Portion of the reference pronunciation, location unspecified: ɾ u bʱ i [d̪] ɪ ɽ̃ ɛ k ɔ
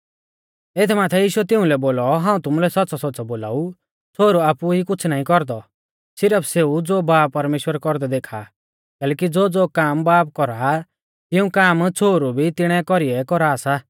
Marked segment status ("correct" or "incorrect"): incorrect